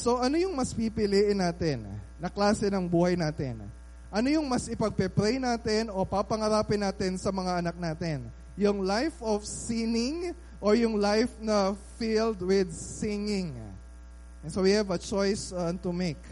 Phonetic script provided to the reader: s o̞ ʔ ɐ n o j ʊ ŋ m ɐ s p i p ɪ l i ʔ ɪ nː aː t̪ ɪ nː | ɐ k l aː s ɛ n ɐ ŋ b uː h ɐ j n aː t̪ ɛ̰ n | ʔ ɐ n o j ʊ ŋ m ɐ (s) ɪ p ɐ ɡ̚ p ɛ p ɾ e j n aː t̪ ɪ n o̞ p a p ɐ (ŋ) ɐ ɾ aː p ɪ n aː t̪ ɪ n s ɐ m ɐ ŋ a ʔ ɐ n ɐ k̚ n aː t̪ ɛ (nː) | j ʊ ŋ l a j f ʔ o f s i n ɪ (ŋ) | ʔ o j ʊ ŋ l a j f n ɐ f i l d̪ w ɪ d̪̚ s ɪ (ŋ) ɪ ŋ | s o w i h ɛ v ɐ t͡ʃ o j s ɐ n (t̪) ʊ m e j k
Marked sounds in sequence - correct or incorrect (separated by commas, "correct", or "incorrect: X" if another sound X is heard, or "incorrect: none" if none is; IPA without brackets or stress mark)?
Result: correct, correct, incorrect: n, correct, correct, correct